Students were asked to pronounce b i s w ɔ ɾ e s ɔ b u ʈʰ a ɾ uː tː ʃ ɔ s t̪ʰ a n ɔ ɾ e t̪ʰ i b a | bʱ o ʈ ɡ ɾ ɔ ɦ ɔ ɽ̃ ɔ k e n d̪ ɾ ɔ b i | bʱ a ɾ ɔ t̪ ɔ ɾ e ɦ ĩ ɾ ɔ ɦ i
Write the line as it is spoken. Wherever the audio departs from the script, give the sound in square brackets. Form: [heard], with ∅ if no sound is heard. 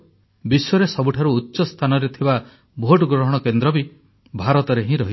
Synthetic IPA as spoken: b i s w ɔ ɾ e s ɔ b u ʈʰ a ɾ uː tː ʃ ɔ s t̪ʰ a n ɔ ɾ e t̪ʰ i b a | bʱ o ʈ ɡ ɾ ɔ ɦ ɔ ɽ̃ ɔ k e n d̪ ɾ ɔ b i | bʱ a ɾ ɔ t̪ ɔ ɾ e ɦ ĩ ɾ ɔ ɦ i